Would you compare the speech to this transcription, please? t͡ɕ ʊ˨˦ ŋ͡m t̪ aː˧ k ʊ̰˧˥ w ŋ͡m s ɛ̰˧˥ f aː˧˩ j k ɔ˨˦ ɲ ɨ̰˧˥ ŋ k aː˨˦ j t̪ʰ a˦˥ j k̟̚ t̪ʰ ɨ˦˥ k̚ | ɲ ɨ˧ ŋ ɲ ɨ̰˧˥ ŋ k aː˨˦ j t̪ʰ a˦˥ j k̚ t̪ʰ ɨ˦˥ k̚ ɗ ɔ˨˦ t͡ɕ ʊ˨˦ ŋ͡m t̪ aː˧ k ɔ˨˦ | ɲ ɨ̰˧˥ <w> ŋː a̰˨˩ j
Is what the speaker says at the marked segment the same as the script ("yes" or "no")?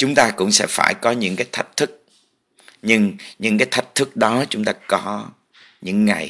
no